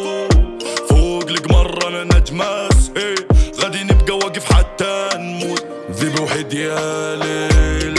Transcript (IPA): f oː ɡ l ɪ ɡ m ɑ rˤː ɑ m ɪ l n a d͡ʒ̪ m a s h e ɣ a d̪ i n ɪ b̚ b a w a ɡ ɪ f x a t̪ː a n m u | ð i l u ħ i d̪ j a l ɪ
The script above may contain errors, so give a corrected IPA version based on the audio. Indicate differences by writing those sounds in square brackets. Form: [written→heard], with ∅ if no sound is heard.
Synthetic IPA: f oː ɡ l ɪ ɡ m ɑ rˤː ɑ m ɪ [l→∅] n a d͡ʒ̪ m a s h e ɣ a d̪ i n ɪ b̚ [b→ɡ] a w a ɡ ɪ f [x→ħ] a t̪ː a n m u | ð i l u ħ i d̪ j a l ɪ